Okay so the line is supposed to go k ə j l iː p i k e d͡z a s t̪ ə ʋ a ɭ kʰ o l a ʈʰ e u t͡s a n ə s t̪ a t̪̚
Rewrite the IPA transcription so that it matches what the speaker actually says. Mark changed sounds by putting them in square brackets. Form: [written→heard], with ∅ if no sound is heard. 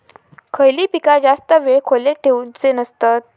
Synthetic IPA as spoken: [k→kʰ] ə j l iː p i k [e→a] d͡z a s t̪ ə ʋ [a→e] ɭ kʰ o l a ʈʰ e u t͡s [a→e] n ə s t̪ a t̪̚